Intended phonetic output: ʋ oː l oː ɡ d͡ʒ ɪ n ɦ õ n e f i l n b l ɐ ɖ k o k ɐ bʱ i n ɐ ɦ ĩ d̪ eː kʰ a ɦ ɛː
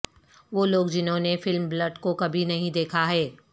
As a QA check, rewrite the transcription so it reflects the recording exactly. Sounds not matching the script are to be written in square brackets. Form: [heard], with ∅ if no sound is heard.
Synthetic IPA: ʋ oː l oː ɡ d͡ʒ ɪ n ɦ õ n e f [ɪ] l [m] b l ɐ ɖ k o k ɐ bʱ i n ɐ ɦ ĩ d̪ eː kʰ a ɦ ɛː